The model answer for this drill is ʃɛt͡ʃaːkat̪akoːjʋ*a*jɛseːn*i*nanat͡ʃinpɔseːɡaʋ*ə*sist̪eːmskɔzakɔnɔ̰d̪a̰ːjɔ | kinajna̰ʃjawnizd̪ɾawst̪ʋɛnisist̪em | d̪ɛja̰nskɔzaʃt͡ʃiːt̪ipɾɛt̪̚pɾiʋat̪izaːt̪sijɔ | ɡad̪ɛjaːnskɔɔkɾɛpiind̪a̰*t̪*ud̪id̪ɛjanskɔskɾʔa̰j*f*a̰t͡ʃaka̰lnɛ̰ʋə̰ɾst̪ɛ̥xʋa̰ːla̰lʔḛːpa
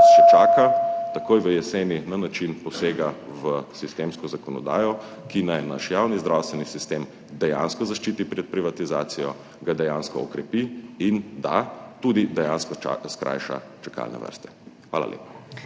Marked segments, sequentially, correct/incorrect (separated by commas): incorrect, correct, correct, correct, incorrect